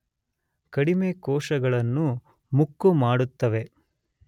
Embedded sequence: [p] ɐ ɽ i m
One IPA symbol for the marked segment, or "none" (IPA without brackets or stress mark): k